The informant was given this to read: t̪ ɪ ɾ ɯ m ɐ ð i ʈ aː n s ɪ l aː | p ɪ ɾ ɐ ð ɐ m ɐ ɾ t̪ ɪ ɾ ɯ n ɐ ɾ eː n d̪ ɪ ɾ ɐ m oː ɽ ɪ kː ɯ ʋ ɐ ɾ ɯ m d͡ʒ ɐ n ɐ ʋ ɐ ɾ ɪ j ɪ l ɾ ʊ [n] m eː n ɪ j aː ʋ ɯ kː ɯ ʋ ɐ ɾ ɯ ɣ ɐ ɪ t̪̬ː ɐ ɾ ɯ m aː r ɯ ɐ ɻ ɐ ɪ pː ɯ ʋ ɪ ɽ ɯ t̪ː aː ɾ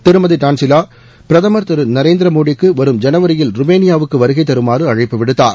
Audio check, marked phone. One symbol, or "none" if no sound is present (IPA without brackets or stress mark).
none